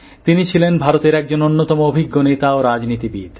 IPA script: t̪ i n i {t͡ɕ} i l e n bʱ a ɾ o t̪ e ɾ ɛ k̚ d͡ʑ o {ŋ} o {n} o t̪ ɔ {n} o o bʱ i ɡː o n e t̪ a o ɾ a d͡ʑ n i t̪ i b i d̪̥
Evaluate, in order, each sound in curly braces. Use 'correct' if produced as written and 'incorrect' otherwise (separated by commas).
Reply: incorrect, incorrect, incorrect, incorrect